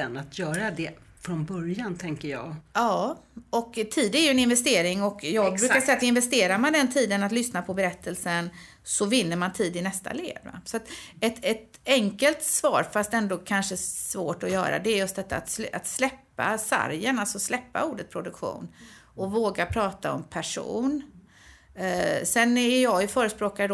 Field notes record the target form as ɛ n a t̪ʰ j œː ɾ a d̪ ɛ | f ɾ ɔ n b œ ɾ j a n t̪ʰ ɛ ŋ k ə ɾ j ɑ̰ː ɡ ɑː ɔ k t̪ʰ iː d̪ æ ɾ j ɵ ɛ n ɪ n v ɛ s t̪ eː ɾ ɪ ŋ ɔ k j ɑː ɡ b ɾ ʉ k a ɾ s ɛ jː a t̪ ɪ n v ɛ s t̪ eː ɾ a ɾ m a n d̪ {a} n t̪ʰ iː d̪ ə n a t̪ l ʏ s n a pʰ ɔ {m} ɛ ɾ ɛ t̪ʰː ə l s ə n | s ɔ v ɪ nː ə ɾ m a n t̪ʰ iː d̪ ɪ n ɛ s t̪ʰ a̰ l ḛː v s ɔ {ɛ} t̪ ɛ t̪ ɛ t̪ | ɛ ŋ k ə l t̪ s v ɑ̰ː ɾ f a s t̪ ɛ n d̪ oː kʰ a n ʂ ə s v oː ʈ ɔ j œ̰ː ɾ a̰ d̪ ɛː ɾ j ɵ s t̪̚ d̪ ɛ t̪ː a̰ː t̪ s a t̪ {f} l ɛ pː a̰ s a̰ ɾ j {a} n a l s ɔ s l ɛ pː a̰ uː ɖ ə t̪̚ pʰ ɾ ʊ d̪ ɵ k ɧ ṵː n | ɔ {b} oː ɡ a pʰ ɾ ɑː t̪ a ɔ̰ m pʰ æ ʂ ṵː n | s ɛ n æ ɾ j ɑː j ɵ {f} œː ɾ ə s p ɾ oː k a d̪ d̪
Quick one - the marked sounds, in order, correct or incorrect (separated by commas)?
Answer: incorrect, incorrect, incorrect, incorrect, incorrect, incorrect, correct